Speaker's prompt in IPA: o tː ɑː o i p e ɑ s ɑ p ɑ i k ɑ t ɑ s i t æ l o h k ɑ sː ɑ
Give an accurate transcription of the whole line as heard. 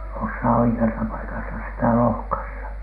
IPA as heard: o sː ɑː o i k e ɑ s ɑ p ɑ i k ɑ s ɑ s i t æ l o h k ɑ sː ɑ